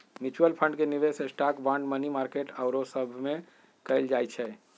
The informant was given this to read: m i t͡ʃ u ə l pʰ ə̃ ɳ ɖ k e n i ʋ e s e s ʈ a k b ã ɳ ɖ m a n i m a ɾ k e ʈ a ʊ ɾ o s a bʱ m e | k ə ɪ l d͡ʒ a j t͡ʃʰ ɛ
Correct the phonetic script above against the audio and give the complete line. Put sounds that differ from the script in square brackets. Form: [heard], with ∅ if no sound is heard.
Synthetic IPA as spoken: m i t͡ʃ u ə l pʰ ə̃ ɳ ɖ k e n i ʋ e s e s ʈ a k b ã ɳ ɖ m [ə] n i m a ɾ k e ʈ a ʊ ɾ o s [ə] bʱ m e | k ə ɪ l d͡ʒ a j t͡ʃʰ ɛ